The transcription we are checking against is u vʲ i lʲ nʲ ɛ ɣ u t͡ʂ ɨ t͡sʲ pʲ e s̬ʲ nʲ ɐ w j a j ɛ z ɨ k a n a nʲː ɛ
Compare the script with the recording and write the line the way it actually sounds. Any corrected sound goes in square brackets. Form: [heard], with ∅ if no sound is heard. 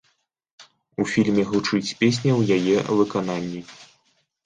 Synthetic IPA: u [fʲ] i lʲ [mʲ] ɛ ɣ u t͡ʂ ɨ t͡sʲ pʲ e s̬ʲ nʲ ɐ w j a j ɛ [v] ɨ k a n a nʲː [i]